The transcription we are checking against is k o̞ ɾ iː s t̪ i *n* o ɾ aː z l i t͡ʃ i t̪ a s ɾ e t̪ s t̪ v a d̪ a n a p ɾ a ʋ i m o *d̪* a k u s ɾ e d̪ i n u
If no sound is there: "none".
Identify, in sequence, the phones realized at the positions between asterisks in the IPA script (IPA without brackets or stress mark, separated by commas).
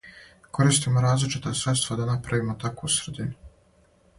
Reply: m, t̪